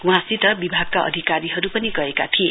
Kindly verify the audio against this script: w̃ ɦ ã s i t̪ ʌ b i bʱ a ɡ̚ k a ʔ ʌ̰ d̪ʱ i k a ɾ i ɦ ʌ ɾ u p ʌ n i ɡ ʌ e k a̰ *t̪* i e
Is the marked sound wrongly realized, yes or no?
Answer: yes